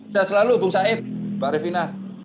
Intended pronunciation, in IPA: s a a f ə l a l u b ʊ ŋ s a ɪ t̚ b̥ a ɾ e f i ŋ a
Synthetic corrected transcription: s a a s ə l a l u b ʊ ŋ s a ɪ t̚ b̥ a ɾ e f i n a